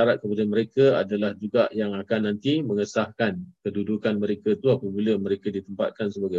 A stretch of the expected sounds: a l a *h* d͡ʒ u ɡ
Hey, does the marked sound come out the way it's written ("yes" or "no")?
yes